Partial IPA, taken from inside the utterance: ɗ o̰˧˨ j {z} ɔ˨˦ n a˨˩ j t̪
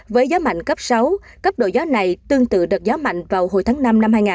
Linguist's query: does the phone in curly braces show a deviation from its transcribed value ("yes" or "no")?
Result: no